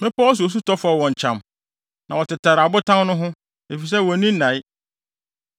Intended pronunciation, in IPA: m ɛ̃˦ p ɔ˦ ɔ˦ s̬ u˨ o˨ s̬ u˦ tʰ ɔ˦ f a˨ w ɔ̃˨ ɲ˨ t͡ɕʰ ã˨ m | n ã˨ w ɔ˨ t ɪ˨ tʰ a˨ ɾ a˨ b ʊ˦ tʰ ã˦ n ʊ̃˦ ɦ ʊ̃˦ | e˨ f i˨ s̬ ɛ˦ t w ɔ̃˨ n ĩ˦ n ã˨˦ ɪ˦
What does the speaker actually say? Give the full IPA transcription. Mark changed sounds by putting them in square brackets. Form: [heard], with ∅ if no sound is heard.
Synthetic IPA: m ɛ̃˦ p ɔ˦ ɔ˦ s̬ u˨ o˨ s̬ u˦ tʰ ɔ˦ f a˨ w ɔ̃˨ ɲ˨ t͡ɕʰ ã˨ m | n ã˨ w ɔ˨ t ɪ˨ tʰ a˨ ɾ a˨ b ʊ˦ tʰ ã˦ n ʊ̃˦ ɦ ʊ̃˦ | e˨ f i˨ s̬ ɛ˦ [∅] w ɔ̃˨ n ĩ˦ n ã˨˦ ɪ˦